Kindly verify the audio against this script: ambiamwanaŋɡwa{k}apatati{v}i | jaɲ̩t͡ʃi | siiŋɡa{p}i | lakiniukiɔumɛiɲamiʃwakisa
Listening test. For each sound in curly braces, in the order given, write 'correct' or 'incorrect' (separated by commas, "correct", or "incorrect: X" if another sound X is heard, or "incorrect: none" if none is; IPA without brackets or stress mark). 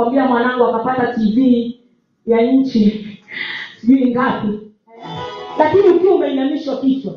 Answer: correct, correct, correct